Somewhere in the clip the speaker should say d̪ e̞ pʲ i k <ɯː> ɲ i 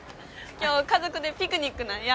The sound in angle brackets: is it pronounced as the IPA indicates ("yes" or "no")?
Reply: no